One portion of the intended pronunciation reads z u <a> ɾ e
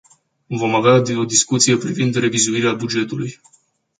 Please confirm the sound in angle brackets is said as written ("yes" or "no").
no